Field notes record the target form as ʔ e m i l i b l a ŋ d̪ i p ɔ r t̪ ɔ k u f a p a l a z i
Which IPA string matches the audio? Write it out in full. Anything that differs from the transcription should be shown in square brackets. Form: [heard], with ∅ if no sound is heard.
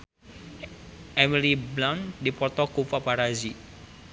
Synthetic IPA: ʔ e m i l i b l a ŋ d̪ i p ɔ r t̪ ɔ k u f a p a [ɾ] a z i